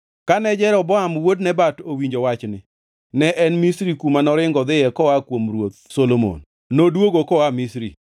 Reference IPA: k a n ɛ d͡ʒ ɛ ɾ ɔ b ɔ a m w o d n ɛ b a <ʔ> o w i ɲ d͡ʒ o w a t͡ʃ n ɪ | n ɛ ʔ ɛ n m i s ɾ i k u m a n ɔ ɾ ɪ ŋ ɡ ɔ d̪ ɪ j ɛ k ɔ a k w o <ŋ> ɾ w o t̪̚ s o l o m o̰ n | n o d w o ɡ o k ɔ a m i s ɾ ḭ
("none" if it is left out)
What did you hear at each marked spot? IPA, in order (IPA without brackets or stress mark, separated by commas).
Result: t, m